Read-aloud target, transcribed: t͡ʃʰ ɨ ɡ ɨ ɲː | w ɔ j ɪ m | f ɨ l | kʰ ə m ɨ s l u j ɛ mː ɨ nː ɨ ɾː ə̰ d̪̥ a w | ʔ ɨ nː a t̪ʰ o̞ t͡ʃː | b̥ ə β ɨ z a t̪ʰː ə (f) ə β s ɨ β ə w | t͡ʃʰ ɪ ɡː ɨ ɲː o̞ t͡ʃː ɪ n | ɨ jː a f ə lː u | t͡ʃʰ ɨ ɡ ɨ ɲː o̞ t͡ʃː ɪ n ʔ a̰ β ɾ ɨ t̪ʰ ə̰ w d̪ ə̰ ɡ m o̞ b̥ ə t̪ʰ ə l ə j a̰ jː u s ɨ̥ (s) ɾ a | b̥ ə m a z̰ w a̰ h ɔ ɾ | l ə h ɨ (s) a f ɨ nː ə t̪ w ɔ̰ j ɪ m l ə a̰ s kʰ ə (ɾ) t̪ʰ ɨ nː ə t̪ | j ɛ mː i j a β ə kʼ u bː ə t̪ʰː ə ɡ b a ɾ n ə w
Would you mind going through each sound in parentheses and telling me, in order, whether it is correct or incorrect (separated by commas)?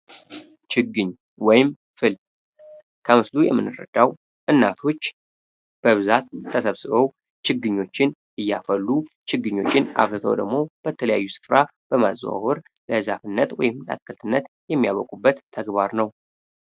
incorrect, incorrect, incorrect, incorrect